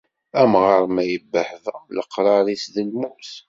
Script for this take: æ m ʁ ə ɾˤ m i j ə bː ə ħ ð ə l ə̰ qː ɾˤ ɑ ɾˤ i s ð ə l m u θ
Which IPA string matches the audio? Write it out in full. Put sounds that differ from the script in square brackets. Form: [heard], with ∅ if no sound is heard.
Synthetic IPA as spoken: æ m ʁ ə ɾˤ m [æ] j ə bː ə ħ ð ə l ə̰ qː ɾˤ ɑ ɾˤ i s ð ə l m u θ